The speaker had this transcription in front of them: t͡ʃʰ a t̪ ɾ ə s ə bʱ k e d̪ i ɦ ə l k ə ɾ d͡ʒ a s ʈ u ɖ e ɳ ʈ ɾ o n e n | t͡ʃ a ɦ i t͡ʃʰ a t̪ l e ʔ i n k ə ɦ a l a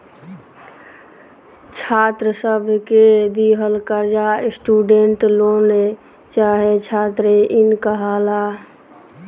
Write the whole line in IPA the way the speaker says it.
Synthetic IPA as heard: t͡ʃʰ a t̪ ɾ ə s ə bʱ k e d̪ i ɦ ə l k ə ɾ d͡ʒ a s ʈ u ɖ e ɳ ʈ l o n e | t͡ʃ a ɦ e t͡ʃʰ a t̪ ɾ e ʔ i n k ə ɦ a l a